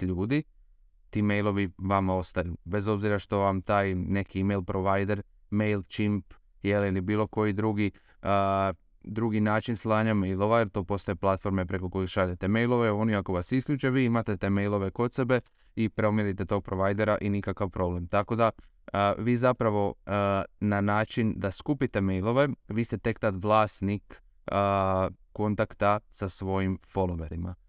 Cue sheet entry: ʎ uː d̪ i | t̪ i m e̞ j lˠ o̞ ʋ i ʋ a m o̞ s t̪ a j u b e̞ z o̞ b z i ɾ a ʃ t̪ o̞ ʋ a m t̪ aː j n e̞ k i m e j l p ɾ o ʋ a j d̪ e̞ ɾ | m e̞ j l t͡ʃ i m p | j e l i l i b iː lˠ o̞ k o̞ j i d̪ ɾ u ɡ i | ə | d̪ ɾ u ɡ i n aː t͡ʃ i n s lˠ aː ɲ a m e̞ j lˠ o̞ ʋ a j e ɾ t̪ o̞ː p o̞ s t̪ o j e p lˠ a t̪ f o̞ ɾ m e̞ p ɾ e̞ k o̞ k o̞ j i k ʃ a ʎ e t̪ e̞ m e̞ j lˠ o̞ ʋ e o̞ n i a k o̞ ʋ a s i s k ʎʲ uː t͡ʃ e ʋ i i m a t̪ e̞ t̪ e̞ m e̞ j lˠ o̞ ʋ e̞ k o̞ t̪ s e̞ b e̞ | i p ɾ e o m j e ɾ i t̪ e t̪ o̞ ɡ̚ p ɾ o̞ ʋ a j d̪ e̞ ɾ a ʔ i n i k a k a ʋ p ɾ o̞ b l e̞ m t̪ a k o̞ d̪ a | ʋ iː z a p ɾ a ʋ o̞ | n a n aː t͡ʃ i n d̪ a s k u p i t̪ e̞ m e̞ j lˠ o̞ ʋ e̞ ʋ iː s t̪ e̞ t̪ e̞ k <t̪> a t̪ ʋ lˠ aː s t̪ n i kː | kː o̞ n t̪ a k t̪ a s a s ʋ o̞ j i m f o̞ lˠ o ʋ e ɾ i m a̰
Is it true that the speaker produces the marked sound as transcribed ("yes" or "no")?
yes